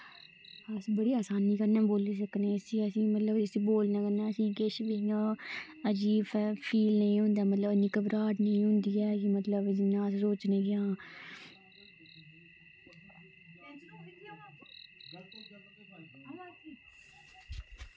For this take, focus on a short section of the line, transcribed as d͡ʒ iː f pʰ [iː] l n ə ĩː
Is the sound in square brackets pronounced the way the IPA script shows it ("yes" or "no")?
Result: yes